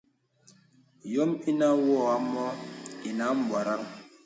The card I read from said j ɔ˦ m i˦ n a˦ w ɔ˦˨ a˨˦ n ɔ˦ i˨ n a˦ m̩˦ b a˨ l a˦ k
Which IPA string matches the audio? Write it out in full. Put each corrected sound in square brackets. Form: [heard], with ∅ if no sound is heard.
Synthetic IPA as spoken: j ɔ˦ m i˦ n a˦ w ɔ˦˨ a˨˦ [m] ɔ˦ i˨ n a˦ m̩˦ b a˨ [ɾ] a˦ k